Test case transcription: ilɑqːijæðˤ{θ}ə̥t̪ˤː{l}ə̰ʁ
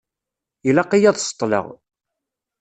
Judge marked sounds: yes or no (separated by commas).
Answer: no, yes